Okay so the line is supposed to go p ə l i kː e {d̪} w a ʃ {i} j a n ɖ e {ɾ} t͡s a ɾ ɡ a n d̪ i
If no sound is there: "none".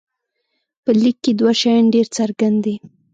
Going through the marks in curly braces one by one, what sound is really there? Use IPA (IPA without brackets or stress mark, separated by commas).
d̪, a, ɾ